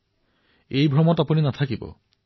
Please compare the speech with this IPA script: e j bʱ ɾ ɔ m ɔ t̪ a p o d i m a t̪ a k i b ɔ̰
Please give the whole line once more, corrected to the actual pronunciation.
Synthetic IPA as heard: e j bʱ ɾ ɔ m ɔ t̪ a p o n i n a t̪ʰ a k i b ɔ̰

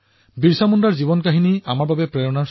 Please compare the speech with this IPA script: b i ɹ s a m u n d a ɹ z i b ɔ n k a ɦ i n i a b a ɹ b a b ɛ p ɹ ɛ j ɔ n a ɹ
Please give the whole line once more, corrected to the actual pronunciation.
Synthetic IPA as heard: b i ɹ s a m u n d a ɹ z i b ɔ n k a ɦ i n i a m a ɹ b a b ɛ p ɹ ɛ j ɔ n a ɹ

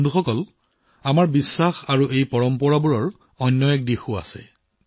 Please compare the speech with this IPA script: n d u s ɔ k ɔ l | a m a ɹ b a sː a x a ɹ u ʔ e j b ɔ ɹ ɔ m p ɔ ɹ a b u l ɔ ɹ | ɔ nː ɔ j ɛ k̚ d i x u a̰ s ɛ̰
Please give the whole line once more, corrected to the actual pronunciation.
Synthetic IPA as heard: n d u x ɔ k ɔ l | a m a ɹ b i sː a x a ɹ u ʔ e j p ɔ ɹ ɔ m p ɔ ɹ a b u ɹ ɔ ɹ | ɔ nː ɔ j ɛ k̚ d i x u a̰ s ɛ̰

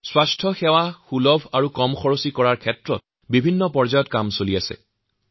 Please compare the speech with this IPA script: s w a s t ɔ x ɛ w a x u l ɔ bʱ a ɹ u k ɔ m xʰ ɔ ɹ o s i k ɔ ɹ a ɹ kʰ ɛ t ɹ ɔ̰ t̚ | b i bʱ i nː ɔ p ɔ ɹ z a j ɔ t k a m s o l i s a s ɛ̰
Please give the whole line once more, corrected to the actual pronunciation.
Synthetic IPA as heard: s w a s tʰ ɔ x ɛ w a x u l ɔ bʱ a ɹ u k ɔ m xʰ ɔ ɹ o s i k ɔ ɹ a ɹ kʰ ɛ t ɹ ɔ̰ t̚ | b i bʱ i nː ɔ p ɔ ɹ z a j ɔ t k a m s o l i a s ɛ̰

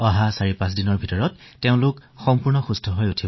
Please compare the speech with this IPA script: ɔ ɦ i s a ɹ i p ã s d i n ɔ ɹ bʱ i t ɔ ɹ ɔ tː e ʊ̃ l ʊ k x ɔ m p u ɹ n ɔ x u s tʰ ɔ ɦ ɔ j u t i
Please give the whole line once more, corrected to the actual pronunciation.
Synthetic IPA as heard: ɔ ɦ a s a ɹ i p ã s d i n ɔ ɹ bʱ i t ɔ ɹ ɔ tː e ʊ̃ l ʊ k x ɔ m p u ɹ n ɔ x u s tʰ ɔ ɦ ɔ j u tʰ i

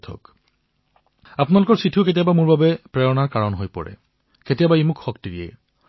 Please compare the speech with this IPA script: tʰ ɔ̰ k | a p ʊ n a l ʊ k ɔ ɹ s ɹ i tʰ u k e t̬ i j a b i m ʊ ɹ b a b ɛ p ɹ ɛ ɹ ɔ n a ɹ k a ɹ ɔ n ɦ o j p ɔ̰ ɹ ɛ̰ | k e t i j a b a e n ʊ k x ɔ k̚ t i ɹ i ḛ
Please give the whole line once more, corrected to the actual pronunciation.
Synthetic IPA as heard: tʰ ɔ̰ k | a p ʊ n a l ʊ k ɔ ɹ s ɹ i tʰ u k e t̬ i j a b a m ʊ ɹ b a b ɛ p ɹ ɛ ɹ ɔ n a ɹ k a ɹ ɔ n ɦ o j p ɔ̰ ɹ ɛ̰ | k e t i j a b a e m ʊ k x ɔ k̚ t i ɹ i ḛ

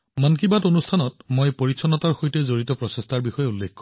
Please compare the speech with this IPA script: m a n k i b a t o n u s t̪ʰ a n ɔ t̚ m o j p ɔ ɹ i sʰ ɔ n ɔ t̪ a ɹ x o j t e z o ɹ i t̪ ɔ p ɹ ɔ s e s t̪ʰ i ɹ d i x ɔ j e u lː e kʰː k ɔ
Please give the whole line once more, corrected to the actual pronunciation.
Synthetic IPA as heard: m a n k i b a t o n u s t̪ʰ a n ɔ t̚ m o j p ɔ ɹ i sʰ ɔ n ɔ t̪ a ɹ x o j t e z o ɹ i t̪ ɔ p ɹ ɔ s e s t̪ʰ a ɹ b i x ɔ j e u lː e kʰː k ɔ

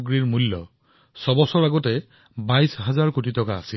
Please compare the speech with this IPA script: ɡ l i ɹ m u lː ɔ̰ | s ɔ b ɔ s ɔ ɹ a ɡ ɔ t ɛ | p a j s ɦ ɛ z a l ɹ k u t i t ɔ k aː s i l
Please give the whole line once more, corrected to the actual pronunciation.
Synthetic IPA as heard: ɡ ɹ i ɹ m u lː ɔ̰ | s ɔ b ɔ s ɔ ɹ a ɡ ɔ t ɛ | b a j s ɦ a z a ɹ k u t i t ɔ k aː s i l

